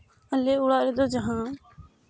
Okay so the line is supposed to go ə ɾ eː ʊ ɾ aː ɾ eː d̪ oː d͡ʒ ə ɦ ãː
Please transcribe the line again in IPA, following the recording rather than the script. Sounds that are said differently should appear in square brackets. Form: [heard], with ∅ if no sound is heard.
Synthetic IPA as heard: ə [l] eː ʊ [ɽ] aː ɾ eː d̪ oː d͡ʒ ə ɦ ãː